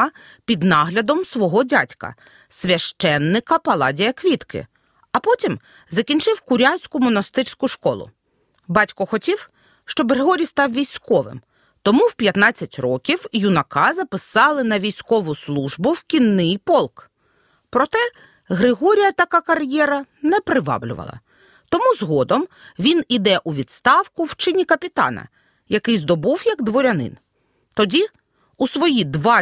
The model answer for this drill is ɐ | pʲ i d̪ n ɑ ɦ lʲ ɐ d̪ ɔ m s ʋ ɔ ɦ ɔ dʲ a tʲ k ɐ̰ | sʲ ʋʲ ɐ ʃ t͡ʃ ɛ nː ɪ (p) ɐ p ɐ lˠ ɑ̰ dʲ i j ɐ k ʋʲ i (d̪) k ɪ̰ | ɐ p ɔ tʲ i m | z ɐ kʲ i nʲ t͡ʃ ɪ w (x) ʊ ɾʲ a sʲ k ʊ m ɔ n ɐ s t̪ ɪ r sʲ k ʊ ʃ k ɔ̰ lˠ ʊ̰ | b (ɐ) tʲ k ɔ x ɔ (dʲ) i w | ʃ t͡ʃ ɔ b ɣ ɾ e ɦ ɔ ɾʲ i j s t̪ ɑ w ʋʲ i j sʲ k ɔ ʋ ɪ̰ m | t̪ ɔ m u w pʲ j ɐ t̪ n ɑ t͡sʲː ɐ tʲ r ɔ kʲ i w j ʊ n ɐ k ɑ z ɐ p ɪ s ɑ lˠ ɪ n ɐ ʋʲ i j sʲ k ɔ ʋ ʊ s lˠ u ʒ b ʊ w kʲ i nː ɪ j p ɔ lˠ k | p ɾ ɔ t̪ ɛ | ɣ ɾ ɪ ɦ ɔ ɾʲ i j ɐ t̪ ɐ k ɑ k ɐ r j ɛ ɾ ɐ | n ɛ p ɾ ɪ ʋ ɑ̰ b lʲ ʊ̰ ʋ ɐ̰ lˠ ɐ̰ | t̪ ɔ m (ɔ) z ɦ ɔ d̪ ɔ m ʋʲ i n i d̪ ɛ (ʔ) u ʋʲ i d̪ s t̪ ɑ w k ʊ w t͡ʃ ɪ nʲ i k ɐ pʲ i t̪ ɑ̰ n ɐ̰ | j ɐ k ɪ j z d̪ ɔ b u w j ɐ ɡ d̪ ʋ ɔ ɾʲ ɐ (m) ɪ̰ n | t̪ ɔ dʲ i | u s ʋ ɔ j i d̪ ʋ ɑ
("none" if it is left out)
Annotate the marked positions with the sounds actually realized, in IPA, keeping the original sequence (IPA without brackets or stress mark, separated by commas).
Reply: k, t̪, k, ɑ, tʲ, u, ʔ, n